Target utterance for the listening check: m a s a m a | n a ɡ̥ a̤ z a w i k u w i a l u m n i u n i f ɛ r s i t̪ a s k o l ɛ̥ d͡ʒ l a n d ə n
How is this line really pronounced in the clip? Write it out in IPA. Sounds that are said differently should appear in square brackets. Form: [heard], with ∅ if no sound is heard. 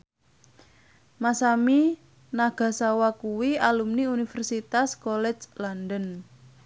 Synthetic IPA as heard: m a s a m [i] | n a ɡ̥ a̤ [s] a w [a] k u w i a l u m n i u n i f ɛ r s i t̪ a s k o l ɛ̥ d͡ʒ l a n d ə n